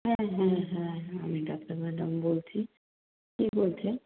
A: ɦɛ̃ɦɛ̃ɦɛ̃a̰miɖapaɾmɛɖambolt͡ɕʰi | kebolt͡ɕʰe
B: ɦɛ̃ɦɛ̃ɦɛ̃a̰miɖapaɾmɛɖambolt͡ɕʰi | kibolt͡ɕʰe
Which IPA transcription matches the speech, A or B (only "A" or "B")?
B